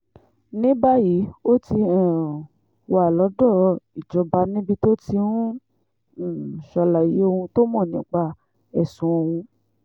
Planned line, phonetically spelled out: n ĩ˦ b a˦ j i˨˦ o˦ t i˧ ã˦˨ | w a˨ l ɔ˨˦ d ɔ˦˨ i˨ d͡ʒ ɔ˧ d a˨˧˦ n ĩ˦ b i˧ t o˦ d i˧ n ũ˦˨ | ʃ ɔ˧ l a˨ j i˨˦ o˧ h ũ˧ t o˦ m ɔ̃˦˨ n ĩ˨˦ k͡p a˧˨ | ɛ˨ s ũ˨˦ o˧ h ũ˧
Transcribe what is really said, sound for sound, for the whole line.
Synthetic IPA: n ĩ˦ b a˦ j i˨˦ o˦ t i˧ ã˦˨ | w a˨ l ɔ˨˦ d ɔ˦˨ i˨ d͡ʒ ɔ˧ b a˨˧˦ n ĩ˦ b i˧ t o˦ t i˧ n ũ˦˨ | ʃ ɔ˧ l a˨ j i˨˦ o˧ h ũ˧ t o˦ m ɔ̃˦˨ n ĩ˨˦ k͡p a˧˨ | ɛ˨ s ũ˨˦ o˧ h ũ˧